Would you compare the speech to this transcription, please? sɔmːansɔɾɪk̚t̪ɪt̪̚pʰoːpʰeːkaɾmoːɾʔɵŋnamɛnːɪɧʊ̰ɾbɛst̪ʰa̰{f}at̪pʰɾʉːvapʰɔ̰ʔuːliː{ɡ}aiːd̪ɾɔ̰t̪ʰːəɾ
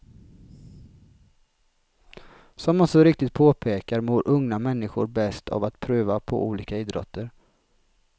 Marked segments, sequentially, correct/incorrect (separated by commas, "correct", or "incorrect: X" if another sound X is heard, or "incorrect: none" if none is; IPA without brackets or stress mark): incorrect: v, incorrect: k